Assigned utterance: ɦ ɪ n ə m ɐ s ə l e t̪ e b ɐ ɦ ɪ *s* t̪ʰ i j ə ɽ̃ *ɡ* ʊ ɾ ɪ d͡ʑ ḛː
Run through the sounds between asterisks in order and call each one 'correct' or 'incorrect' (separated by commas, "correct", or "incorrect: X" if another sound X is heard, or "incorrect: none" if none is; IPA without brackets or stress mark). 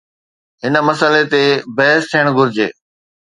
correct, correct